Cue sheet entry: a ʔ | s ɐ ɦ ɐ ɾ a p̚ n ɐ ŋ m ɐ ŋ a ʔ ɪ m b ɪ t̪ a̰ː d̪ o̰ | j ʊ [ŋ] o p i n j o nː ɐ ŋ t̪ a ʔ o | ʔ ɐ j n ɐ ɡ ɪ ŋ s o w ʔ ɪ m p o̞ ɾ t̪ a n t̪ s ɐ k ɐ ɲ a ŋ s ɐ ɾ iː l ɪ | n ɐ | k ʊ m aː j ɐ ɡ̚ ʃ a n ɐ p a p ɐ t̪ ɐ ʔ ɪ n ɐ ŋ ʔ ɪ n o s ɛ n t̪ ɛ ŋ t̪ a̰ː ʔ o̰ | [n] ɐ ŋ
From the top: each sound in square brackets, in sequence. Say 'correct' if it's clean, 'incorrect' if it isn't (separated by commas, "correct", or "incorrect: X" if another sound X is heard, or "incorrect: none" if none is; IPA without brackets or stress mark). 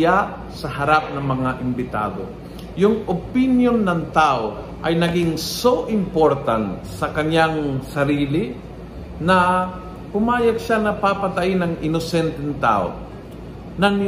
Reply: correct, correct